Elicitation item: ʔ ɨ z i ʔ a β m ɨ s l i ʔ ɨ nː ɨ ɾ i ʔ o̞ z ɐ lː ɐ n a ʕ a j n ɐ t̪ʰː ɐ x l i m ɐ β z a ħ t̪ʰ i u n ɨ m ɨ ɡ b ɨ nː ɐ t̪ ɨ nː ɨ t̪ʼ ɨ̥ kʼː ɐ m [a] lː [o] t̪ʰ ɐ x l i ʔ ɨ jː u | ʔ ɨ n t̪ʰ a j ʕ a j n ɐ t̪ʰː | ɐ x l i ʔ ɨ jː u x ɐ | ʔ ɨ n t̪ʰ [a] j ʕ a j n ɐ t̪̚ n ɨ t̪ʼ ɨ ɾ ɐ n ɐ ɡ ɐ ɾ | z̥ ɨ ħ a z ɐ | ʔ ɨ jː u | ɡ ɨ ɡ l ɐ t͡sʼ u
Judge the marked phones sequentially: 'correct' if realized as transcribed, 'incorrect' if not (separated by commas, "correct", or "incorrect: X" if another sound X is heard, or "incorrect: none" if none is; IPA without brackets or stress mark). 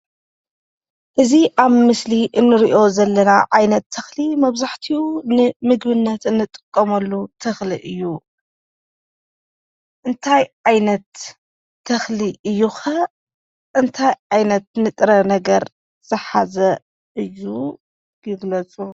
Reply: incorrect: ɐ, incorrect: u, correct